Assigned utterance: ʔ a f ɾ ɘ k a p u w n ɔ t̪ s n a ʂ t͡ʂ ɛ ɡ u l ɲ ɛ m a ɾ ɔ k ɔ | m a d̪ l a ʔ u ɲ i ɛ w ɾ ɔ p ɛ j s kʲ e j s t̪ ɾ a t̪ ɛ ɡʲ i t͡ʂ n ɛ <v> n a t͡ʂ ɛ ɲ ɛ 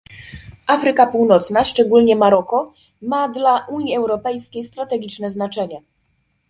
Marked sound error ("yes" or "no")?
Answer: yes